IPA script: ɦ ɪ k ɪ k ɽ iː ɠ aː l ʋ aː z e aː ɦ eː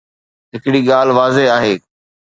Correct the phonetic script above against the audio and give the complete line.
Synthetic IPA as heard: ɦ ɪ k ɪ ɽ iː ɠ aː l ʋ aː z e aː ɦ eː